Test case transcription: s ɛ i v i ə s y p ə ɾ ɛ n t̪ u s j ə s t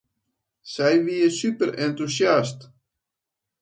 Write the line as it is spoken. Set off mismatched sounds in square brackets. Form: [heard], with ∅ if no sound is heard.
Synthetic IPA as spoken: s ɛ [j] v i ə s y p ə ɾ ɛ n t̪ u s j [a] s t